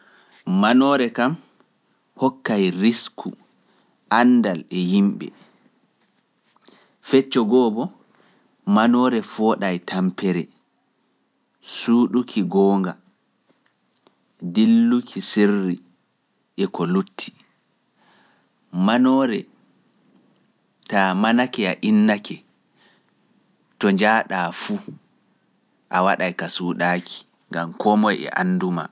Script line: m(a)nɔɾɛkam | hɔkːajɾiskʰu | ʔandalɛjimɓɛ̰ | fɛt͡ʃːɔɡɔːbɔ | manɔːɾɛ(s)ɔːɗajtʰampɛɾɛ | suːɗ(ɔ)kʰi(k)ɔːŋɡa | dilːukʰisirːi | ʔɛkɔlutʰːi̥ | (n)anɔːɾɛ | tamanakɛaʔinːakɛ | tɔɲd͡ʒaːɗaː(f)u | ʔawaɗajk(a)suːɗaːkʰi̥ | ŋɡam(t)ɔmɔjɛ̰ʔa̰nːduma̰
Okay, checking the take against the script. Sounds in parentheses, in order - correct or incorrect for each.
correct, incorrect, incorrect, incorrect, incorrect, correct, correct, incorrect

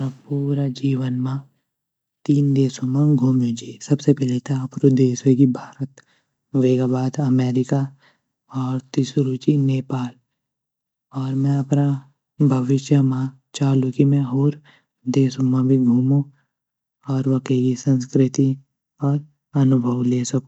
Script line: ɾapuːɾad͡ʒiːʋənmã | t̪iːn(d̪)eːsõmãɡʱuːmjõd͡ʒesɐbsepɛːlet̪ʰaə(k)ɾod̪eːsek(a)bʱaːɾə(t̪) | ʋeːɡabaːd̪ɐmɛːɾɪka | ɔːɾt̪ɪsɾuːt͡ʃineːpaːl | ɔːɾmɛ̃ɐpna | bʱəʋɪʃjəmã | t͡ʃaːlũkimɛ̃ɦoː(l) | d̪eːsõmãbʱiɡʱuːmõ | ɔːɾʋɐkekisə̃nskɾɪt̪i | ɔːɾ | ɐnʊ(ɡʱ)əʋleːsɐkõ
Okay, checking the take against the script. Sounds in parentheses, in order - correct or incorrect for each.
correct, incorrect, incorrect, correct, incorrect, incorrect

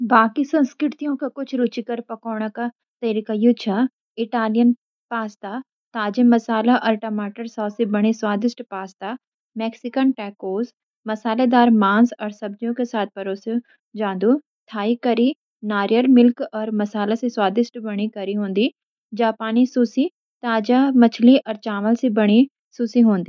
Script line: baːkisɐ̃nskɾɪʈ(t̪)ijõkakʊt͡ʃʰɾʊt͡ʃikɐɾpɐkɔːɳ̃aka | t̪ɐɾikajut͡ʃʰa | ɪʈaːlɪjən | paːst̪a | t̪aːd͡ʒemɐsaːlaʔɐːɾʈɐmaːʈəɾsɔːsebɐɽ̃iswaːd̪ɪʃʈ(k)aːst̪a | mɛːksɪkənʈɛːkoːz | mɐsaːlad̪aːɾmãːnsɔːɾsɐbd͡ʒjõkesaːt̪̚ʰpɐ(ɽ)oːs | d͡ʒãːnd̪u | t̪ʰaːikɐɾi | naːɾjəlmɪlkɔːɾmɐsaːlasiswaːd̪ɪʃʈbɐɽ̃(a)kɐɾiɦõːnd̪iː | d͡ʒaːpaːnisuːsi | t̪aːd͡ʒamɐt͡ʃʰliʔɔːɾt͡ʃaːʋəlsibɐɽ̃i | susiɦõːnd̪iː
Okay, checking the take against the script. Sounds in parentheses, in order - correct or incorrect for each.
correct, incorrect, incorrect, incorrect

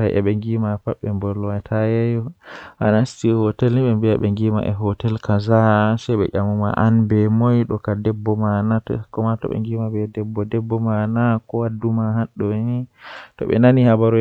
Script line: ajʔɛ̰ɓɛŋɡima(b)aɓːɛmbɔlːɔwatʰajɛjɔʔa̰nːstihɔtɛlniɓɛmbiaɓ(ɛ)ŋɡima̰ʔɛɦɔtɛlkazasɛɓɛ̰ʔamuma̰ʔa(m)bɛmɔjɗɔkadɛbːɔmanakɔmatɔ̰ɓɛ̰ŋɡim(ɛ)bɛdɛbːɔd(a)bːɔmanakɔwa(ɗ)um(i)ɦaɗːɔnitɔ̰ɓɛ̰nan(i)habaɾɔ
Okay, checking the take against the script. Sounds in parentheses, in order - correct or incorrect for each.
incorrect, correct, incorrect, incorrect, incorrect, incorrect, incorrect, correct

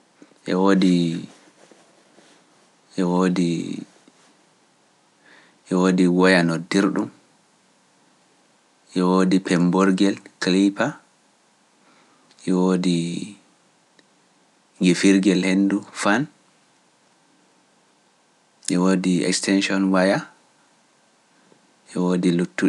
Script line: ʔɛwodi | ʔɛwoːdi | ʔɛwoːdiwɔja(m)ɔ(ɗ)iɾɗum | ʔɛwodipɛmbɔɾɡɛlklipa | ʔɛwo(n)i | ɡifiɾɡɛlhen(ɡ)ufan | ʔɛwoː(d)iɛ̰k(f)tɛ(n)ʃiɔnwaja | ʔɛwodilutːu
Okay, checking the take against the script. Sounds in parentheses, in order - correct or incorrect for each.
incorrect, incorrect, incorrect, incorrect, correct, incorrect, correct

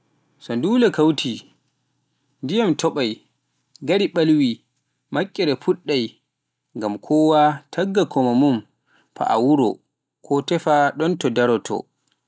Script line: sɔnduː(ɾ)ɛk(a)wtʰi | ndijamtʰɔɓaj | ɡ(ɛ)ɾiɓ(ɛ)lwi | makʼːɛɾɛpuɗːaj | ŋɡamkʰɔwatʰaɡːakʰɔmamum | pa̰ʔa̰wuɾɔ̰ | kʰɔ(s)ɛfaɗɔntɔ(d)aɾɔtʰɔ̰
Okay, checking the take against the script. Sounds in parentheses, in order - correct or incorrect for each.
incorrect, correct, incorrect, incorrect, incorrect, correct

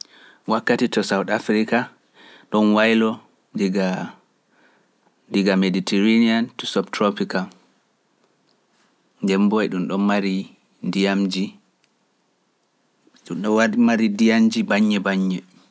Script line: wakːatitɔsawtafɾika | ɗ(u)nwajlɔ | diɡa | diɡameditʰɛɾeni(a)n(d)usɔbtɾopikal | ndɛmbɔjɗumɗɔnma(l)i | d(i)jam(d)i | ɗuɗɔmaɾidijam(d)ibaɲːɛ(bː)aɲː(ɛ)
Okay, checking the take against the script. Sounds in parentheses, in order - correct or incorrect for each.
incorrect, correct, incorrect, incorrect, correct, incorrect, incorrect, incorrect, correct

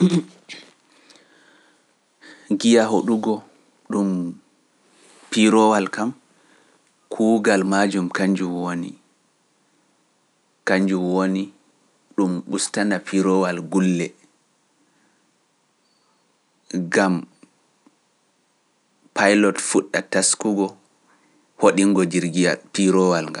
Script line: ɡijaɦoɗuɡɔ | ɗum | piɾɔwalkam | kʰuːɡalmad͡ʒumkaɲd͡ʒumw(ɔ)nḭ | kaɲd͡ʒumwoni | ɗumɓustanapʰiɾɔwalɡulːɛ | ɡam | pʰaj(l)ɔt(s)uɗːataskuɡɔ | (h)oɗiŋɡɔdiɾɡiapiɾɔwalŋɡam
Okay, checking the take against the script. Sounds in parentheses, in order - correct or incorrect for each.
incorrect, correct, incorrect, correct

